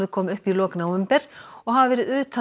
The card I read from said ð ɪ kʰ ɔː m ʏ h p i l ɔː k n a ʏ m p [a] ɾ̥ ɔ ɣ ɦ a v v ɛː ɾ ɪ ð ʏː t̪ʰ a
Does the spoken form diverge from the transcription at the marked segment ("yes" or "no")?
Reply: yes